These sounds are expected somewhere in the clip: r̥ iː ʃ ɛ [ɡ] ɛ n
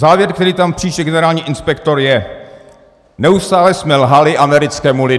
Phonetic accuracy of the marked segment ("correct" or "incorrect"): correct